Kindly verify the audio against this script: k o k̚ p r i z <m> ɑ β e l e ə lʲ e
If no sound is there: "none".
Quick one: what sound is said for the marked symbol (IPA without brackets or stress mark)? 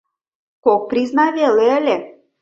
n